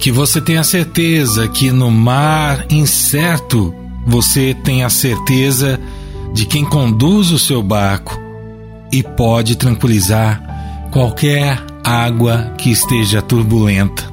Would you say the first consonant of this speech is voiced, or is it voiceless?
voiceless